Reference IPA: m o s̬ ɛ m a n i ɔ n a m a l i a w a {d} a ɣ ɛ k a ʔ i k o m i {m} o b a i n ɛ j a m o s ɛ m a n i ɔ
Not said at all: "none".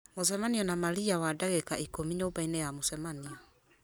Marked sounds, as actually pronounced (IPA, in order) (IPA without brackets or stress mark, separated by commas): d, ɲ